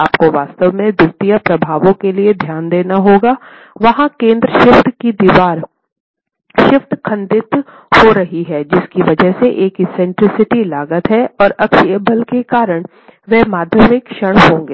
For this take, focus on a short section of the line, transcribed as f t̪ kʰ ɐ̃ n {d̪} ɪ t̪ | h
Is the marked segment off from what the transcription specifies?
no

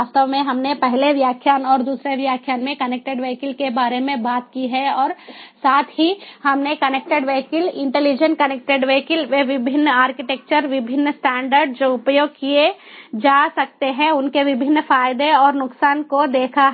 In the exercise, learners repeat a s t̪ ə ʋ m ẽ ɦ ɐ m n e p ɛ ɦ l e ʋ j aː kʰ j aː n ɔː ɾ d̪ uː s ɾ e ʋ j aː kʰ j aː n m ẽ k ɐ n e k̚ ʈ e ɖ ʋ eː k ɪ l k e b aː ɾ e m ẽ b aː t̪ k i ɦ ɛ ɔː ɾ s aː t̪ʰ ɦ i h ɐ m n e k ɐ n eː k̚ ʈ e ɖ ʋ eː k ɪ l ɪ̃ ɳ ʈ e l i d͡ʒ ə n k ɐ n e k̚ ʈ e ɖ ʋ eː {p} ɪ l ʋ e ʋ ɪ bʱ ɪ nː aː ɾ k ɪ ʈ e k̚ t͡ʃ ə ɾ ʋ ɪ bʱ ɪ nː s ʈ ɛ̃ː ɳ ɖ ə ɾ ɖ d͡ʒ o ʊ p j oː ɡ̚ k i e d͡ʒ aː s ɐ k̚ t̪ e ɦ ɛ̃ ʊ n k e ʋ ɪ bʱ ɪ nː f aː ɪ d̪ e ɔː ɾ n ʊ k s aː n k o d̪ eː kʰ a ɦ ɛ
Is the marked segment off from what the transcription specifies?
yes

